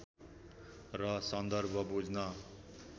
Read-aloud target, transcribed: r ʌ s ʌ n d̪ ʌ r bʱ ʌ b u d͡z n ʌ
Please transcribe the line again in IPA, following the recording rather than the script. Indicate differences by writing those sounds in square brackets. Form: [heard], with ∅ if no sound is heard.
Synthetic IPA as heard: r ʌ s ʌ n d̪ ʌ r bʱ ʌ b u d͡z n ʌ